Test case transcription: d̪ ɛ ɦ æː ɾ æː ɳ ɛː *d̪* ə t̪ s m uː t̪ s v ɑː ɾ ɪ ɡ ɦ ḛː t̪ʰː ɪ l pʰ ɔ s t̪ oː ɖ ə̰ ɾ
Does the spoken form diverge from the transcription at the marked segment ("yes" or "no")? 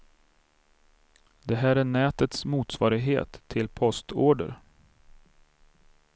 yes